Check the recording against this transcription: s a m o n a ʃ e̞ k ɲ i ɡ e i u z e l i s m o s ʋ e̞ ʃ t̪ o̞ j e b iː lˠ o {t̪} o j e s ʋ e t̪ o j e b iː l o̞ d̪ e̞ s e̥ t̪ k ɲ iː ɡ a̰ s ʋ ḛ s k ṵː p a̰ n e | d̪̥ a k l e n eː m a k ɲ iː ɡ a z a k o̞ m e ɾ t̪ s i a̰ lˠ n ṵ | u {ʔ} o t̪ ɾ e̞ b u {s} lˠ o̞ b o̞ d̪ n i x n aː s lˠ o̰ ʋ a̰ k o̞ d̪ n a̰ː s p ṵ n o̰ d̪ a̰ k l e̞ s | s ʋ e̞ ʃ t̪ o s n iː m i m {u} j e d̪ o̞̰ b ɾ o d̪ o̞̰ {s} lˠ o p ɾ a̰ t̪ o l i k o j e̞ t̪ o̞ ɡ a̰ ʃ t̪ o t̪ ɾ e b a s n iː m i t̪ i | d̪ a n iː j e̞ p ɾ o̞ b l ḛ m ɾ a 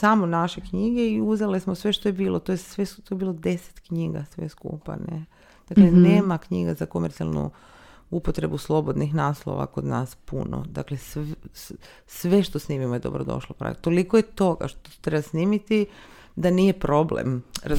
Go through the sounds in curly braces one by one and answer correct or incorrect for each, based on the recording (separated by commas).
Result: correct, incorrect, correct, incorrect, incorrect